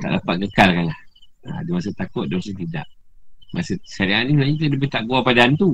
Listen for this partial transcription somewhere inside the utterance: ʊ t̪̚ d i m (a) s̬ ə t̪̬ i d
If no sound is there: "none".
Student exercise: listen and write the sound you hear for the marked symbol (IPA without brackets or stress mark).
a